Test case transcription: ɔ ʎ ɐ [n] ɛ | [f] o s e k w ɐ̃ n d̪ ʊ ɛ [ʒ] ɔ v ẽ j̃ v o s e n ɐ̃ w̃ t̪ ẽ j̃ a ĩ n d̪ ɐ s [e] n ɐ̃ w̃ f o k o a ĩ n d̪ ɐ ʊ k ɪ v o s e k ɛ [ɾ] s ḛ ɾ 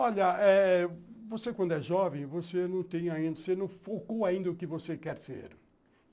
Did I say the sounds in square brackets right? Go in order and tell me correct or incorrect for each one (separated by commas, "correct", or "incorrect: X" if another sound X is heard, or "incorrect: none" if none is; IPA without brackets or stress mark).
incorrect: none, incorrect: v, correct, correct, correct